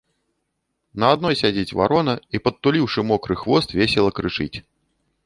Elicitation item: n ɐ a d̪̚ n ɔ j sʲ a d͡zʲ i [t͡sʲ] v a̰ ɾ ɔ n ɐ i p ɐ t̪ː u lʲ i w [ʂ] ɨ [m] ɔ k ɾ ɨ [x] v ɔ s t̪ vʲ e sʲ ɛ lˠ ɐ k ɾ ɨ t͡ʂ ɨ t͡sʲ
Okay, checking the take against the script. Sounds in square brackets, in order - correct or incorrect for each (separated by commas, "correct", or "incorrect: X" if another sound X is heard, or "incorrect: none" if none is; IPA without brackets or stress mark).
correct, correct, correct, correct